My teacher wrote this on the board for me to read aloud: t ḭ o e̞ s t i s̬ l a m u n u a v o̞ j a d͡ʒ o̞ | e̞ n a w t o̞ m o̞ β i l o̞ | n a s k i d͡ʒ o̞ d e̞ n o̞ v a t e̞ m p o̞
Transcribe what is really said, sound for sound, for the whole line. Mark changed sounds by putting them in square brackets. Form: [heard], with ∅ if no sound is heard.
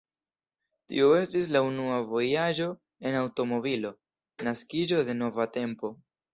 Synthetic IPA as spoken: t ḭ o e̞ s t i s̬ l a [∅] u n u a v o̞ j a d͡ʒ o̞ | e̞ n a w t o̞ m o̞ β i l o̞ | n a s k i d͡ʒ o̞ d e̞ n o̞ v a t e̞ m p o̞